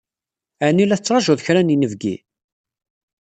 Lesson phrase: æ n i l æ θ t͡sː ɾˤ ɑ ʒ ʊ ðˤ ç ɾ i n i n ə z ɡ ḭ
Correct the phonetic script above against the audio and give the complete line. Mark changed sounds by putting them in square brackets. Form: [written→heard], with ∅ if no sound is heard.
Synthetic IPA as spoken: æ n i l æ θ t͡sː ɾˤ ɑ ʒ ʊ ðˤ ç ɾ [i→æ] n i n ə [z→v] ɡ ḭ